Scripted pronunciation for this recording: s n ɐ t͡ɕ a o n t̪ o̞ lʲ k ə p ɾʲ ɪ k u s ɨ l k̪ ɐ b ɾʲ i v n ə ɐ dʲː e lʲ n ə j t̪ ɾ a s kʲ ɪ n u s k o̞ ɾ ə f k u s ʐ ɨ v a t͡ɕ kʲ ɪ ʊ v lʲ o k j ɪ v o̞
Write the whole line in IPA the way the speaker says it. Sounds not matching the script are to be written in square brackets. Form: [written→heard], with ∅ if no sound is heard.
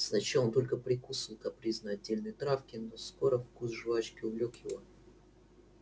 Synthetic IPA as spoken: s n ɐ t͡ɕ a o n t̪ o̞ lʲ k ə p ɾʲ ɪ k u s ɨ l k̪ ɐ [b→p] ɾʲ i [v→z] n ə ɐ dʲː e lʲ n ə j t̪ ɾ a [s→f] kʲ ɪ n [u→o] s k o̞ ɾ ə f k u s ʐ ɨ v a t͡ɕ kʲ ɪ ʊ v lʲ o k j ɪ v o̞